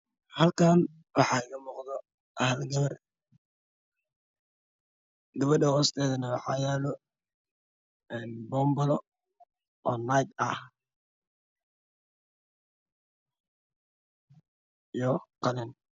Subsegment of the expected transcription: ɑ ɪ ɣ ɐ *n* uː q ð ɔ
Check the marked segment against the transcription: incorrect: m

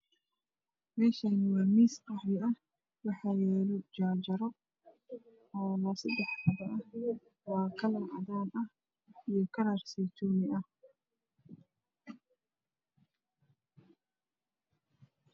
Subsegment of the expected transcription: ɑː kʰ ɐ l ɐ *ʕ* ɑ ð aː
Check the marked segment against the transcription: correct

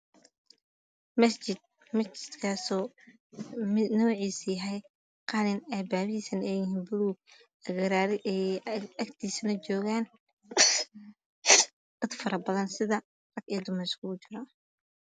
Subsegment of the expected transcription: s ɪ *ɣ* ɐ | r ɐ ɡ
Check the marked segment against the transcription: incorrect: ð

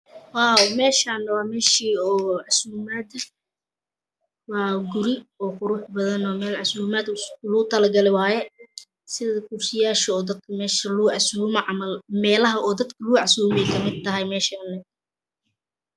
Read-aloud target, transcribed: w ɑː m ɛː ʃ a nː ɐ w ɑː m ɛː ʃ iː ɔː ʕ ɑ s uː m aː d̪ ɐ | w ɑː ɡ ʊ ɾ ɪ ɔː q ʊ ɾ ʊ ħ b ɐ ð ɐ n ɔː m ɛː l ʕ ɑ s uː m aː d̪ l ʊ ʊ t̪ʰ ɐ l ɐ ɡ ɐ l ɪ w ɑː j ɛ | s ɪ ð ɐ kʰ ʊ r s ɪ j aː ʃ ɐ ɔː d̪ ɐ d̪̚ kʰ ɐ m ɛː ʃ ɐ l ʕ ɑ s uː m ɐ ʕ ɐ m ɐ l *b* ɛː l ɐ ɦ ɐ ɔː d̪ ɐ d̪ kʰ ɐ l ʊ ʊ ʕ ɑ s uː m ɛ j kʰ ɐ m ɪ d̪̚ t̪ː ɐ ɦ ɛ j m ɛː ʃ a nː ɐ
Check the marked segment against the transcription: incorrect: m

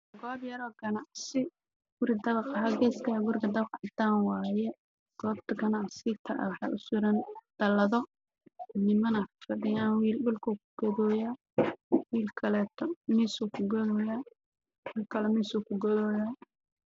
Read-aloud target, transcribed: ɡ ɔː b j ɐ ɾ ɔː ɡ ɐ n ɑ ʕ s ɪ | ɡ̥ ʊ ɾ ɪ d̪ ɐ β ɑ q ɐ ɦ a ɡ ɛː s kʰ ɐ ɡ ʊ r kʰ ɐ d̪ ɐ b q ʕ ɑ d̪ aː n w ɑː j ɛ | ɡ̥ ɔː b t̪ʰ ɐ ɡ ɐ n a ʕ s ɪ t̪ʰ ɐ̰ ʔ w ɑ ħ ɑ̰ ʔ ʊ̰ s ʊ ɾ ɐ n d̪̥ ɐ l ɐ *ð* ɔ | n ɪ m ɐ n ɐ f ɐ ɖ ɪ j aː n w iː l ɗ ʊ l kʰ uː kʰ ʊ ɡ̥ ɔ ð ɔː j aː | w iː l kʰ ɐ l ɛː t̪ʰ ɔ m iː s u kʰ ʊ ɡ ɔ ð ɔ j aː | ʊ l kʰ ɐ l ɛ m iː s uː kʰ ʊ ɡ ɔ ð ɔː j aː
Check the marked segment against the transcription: correct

